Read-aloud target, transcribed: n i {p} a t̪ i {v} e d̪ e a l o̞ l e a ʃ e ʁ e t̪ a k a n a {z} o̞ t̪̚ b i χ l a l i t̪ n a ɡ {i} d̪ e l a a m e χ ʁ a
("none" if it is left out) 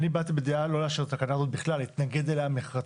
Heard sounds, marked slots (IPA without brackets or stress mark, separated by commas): b, b, z, e